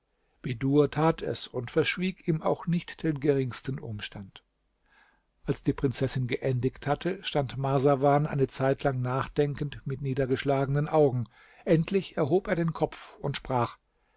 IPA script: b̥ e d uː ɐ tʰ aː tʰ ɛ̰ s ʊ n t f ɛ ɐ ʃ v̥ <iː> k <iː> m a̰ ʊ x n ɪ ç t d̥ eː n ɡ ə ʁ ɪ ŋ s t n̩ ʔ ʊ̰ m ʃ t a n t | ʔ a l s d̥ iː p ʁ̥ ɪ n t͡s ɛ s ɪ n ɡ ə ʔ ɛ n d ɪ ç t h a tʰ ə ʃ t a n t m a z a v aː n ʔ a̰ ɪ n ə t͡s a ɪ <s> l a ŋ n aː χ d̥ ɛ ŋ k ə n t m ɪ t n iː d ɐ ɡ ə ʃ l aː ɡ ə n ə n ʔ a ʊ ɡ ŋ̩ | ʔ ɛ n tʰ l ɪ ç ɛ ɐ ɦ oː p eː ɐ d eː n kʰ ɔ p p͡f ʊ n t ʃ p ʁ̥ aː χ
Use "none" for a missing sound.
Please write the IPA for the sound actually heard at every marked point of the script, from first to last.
iː, iː, t

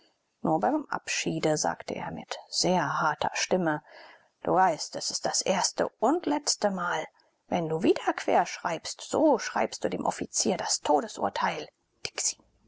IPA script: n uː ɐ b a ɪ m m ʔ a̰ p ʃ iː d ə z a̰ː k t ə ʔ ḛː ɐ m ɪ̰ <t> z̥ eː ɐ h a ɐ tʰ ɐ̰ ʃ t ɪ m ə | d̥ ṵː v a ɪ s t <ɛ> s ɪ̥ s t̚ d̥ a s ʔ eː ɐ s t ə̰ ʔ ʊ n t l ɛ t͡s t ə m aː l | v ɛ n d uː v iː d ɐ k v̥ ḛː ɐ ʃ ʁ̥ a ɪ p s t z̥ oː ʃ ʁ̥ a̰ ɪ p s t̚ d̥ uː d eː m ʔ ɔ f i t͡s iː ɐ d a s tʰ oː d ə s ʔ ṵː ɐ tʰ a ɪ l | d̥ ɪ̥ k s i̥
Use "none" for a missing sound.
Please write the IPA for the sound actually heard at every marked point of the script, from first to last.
t, ɛ

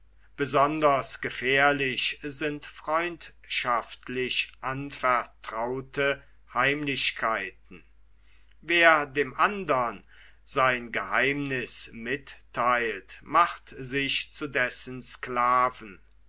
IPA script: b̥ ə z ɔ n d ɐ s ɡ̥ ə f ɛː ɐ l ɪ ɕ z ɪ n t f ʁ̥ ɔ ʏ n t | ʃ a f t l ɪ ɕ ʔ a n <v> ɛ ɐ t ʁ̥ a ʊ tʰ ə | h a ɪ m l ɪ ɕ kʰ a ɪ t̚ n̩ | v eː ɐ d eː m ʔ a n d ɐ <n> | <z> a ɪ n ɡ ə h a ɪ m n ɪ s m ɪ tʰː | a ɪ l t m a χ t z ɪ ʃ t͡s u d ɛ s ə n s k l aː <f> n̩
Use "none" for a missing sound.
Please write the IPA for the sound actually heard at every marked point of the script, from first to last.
f, n, z, v

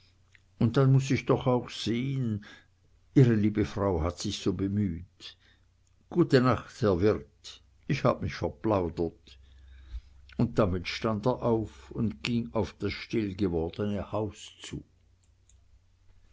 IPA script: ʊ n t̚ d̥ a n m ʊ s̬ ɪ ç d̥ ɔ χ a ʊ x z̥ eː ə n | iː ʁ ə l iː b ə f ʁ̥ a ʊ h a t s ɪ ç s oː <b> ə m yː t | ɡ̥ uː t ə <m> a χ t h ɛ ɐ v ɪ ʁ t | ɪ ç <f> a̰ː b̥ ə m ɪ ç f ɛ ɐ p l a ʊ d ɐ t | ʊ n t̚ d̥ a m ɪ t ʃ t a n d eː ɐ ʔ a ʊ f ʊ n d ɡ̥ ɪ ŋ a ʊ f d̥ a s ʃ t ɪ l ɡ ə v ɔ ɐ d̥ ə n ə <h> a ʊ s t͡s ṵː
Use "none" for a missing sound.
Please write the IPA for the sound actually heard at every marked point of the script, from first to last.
b, n, h, h

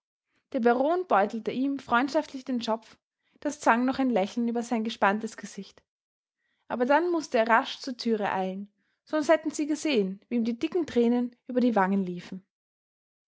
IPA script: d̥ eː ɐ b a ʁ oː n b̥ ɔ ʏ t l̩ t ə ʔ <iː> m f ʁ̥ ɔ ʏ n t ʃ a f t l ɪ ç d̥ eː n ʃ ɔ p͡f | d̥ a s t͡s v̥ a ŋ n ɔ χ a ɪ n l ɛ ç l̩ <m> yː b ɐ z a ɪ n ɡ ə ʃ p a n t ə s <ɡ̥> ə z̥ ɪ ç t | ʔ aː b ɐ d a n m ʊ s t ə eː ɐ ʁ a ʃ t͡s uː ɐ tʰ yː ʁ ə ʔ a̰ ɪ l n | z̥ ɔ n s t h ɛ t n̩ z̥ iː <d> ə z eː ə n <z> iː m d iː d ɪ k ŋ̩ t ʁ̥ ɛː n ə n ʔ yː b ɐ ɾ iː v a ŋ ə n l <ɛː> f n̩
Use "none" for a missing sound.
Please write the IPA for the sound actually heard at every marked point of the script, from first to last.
iː, n, ɡ̥, ɡ, v, iː

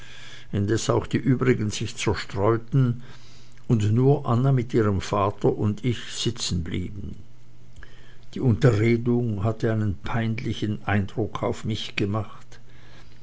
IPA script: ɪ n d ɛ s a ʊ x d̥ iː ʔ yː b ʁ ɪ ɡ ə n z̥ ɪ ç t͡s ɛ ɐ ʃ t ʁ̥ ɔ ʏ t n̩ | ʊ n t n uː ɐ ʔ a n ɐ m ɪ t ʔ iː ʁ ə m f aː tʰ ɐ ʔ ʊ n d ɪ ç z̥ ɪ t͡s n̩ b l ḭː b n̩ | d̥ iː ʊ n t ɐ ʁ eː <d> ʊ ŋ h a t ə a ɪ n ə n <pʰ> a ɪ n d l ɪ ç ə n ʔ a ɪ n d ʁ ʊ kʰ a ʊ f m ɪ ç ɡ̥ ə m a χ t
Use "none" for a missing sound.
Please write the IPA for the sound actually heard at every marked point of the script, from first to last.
d, pʰ

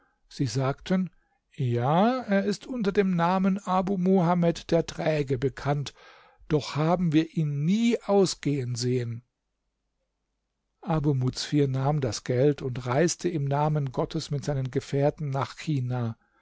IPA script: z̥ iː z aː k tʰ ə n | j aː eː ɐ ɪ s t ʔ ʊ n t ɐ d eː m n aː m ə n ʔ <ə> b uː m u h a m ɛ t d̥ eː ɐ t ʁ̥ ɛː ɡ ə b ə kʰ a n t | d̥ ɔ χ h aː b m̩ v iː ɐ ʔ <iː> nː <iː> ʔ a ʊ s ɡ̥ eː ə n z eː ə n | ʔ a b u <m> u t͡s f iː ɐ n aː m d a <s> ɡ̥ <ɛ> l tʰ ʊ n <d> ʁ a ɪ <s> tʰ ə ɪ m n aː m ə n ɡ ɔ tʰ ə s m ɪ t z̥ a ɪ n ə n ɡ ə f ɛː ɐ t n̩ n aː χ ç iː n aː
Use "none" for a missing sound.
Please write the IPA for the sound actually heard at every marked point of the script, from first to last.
a, iː, iː, m, s, ɛ, t, s

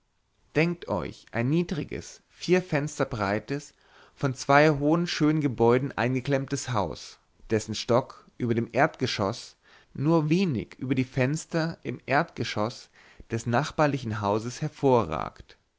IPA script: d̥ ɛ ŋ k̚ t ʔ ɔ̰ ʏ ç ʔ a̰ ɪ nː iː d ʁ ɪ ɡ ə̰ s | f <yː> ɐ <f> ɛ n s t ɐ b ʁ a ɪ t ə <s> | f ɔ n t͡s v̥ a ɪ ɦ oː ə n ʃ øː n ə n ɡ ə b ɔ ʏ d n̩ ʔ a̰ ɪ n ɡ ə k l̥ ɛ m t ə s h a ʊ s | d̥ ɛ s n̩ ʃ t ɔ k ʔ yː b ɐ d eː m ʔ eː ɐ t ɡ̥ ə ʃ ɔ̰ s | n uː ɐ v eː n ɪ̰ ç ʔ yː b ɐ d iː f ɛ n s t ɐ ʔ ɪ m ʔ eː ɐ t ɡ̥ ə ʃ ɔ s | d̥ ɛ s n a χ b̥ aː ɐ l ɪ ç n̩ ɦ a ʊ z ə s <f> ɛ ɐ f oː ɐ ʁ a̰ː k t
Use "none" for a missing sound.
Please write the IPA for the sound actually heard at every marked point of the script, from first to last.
iː, f, s, h

